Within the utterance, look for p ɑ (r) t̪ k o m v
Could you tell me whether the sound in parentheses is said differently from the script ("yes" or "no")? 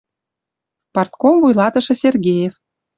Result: no